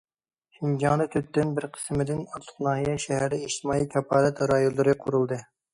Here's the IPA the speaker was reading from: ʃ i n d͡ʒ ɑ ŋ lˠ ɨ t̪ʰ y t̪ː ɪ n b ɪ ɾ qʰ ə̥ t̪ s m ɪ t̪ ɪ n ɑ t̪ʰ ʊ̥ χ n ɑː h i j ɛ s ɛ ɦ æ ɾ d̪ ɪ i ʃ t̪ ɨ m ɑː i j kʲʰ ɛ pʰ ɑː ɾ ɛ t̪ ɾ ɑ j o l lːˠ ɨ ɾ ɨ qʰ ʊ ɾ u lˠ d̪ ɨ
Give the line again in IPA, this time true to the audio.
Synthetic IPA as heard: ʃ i n d͡ʒ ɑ ŋ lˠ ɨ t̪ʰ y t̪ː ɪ n b ɪ ɾ qʰ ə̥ s m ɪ d̪ ɪ n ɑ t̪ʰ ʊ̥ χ n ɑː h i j ɛ ʃ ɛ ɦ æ ɾ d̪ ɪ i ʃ t̪ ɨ m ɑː i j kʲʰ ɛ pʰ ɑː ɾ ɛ t̪ ɾ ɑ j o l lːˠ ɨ ɾ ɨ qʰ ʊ ɾ u lˠ d̪ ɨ

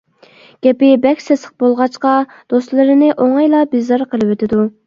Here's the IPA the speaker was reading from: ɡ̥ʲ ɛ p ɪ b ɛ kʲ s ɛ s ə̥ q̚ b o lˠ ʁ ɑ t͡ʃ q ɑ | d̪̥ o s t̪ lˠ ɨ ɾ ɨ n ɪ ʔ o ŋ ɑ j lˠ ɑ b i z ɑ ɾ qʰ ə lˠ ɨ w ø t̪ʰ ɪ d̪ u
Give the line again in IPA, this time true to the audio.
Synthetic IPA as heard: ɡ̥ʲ ɛ p ɪ b ɛ kʲ s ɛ s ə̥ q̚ b o lˠ ʁ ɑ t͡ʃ q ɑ | d̪̥ o s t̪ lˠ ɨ ɾ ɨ n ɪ ʔ o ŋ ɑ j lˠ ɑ b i z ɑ ɾ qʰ ə lˠ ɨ w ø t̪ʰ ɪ d̪ u

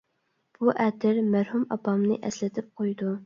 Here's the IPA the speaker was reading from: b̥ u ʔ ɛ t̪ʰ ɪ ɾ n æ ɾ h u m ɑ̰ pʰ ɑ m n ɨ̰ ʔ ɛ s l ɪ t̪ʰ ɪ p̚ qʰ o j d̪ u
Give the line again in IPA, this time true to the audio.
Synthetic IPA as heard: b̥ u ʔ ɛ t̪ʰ ɪ ɾ m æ ɾ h u m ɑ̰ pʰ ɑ m n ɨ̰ ʔ ɛ s l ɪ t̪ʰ ɪ p̚ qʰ o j d̪ u

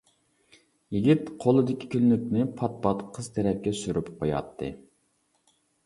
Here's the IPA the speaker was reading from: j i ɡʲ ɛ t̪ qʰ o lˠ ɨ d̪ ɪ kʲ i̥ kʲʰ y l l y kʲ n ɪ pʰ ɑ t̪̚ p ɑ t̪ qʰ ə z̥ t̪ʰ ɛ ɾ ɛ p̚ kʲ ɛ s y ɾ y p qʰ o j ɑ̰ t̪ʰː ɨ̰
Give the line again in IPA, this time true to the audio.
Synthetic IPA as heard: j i ɡʲ i t̪ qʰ o lˠ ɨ d̪ ɪ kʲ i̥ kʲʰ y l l y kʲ n ɪ pʰ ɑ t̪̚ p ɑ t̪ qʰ ə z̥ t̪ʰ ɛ ɾ ɛ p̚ kʲ ɛ s y ɾ y p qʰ o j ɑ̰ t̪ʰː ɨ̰

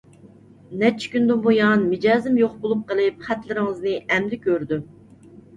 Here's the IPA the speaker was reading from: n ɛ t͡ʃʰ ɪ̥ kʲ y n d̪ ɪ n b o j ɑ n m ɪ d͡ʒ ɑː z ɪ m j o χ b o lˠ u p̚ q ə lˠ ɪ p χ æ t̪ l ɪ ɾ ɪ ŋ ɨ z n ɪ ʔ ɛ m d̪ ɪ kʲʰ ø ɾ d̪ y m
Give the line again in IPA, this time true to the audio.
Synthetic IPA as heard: n ɛ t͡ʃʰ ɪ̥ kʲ y n d̪ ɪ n b o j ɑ n m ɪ d͡ʒ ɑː z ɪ m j o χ b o lˠ u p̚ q ə lˠ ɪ p χ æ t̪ l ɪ ɾ ɪ ŋ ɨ z n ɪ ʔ ɛ m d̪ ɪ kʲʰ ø ɾ d̪ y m

